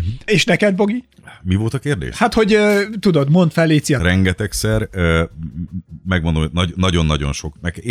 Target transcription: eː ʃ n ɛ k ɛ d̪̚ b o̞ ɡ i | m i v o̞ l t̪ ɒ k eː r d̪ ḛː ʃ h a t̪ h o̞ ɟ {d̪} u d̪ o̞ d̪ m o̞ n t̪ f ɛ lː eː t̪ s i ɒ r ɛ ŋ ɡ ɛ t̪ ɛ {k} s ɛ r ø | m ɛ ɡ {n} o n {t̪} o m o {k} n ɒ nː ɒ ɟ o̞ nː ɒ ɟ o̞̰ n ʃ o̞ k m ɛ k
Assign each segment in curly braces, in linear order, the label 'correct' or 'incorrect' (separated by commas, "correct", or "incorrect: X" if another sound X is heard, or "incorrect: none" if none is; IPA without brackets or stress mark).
incorrect: t̪, correct, incorrect: m, incorrect: d̪, incorrect: none